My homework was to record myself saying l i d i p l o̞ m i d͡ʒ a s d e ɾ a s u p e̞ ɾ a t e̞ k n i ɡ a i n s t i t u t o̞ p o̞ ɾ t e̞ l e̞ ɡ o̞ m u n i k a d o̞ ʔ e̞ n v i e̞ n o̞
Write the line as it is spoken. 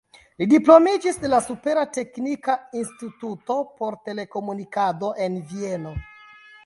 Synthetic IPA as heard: l i d i p l o̞ m i d͡ʒ i s d e l a s u p e̞ ɾ a t e̞ k n i k a i n s t i t u t o̞ p o̞ ɾ t e̞ l e̞ k o̞ m u n i k a d o̞ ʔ e̞ n v i e̞ n o̞